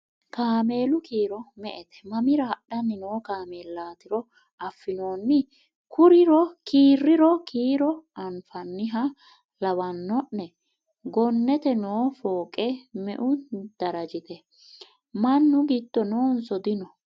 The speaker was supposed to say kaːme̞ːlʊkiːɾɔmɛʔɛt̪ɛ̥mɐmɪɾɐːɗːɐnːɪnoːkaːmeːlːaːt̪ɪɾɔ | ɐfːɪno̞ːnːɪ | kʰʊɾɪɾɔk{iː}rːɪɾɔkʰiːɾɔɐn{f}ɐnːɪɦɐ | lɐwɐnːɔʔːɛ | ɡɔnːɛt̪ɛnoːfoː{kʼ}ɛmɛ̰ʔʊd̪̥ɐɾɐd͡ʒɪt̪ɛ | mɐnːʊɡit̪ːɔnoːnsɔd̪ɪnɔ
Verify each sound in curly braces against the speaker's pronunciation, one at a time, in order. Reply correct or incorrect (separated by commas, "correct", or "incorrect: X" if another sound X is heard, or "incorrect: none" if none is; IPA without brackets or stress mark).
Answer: correct, correct, correct